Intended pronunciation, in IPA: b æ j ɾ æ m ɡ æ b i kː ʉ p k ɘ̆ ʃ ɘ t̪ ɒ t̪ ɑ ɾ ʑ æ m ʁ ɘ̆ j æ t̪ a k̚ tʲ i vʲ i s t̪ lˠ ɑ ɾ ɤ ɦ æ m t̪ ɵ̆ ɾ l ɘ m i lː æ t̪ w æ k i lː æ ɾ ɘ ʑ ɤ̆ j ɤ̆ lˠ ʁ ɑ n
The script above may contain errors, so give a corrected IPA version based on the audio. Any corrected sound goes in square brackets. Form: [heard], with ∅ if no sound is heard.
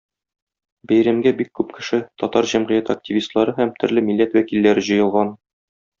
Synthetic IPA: b æ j ɾ æ m ɡ æ b i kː ʉ p k ɘ̆ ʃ ɘ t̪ ɒ t̪ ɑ ɾ ʑ æ m ʁ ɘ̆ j æ t̪ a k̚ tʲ i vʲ i s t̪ lˠ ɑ ɾ ɤ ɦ æ m t̪ ɵ̆ ɾ l ɘ m i lː æ t̪ w æ k i lː æ ɾ ɘ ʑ ɤ̆ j ɤ̆ lˠ ʁ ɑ n